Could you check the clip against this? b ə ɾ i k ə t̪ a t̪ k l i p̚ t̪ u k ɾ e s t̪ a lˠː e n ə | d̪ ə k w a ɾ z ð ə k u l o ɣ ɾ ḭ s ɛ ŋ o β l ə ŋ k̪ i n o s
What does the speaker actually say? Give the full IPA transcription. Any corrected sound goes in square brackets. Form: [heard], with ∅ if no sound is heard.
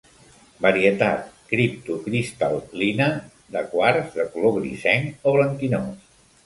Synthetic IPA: b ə ɾ i [∅] ə t̪ a t̪ k [ɾ] i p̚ t̪ u k ɾ [i] s t̪ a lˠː [i] n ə | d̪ ə k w a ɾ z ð ə k u l o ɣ ɾ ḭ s ɛ ŋ o β l ə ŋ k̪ i n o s